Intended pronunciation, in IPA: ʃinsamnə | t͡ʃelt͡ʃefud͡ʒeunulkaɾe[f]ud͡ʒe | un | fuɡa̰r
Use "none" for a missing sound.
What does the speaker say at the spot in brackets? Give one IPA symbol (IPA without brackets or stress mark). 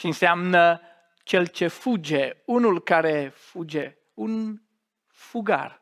f